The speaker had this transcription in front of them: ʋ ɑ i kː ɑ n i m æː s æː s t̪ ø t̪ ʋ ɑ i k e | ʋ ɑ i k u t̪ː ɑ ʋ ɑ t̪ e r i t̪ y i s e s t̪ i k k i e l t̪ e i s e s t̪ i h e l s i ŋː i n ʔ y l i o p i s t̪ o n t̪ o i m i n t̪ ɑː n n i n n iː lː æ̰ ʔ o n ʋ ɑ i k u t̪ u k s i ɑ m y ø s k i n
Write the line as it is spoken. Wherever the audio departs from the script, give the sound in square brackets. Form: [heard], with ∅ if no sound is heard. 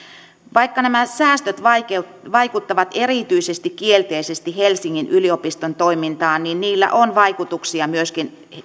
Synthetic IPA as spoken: ʋ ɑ i kː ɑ n [æ] m [æ] s æː s t̪ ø t̪ ʋ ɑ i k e | ʋ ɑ i k u t̪ː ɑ ʋ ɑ t̪ e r i t̪ y i s e s t̪ i k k i e l t̪ e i s e s t̪ i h e l s i ŋː i n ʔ y l i o p i s t̪ o n t̪ o i m i n t̪ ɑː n n i n n iː lː æ̰ ʔ o n ʋ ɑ i k u t̪ u k s i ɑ m y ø s k i n

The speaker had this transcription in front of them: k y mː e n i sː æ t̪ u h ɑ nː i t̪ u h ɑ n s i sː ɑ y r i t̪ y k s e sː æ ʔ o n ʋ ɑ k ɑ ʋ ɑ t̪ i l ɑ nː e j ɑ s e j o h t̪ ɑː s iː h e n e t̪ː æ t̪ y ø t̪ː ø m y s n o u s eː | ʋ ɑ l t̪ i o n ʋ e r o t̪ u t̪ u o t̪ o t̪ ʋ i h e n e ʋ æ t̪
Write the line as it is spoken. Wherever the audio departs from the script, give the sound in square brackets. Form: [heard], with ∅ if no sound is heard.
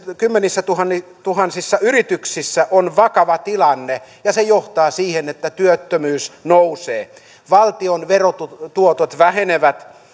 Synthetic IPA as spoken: k y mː e n i sː æ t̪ u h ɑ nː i t̪ u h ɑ n s i sː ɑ y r i t̪ y k s [i] sː æ ʔ o n ʋ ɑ k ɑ ʋ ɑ t̪ i l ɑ nː e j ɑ s e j o h t̪ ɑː s iː h e n e t̪ː æ t̪ y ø t̪ː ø m [yː] s n o u s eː | ʋ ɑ l t̪ i o n ʋ e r o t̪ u t̪ u o t̪ o t̪ ʋ [æ] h e n e ʋ æ t̪

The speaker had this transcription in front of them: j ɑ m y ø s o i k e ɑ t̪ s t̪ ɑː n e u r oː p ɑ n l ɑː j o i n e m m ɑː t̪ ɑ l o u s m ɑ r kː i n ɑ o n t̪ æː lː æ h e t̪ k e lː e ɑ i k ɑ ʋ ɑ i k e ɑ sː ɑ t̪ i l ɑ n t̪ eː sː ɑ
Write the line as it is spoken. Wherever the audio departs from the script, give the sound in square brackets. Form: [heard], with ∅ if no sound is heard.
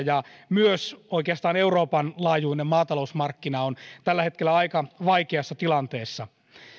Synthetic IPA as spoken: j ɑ m y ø s o i k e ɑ [∅] s t̪ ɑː n e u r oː p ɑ n l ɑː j [u] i n e m m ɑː t̪ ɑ l o u s m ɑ r kː i n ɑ o n t̪ [æ] lː æ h e t̪ k e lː [æ] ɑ i k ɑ ʋ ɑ i k e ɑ sː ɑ t̪ i l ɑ n t̪ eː sː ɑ

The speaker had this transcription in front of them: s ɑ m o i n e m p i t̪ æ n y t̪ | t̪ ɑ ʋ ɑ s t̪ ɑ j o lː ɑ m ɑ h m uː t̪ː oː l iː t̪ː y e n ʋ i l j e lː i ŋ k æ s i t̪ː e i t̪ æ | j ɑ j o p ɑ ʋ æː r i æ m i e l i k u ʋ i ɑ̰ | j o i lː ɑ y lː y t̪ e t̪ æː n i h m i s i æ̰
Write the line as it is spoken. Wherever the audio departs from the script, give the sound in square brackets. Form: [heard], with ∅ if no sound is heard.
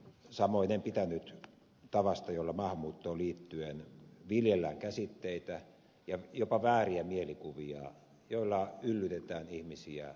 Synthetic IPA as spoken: s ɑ m o i n e m p i t̪ æ n y t̪ | t̪ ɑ ʋ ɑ s t̪ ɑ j o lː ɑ m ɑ h m uː t̪ː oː l iː t̪ː y e n ʋ i l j e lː [æ] ŋ k æ s i t̪ː e i t̪ æ | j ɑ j o p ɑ ʋ æː r i æ m i e l i k u ʋ i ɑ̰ | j o i lː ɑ y lː y t̪ e t̪ æː n i h m i s i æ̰

